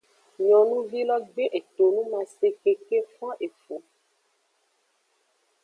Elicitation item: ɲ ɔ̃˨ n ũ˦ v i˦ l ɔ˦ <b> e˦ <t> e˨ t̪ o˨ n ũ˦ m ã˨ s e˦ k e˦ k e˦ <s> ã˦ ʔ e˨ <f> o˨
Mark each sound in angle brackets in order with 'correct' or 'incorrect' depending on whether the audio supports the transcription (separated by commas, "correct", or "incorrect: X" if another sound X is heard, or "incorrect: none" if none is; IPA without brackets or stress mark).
incorrect: ɡ͡b, incorrect: ʔ, incorrect: f, correct